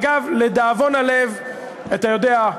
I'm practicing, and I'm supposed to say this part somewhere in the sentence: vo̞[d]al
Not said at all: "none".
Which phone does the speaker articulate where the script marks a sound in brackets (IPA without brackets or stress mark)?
n